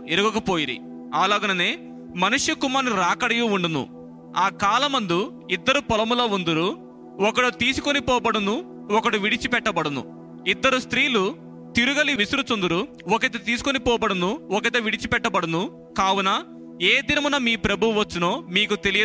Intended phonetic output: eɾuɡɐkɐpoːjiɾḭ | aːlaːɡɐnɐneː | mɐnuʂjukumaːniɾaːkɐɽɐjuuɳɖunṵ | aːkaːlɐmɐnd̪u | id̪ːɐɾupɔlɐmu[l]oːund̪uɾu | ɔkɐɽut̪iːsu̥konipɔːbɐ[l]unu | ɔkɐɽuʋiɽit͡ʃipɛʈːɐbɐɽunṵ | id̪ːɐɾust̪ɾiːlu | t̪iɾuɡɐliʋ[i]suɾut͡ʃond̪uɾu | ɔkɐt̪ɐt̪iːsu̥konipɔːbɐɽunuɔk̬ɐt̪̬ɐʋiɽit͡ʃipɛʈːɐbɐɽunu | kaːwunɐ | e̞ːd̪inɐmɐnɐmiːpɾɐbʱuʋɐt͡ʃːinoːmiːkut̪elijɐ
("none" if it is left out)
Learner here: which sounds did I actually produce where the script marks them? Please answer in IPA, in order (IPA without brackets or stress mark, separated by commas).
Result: l, ɽ, i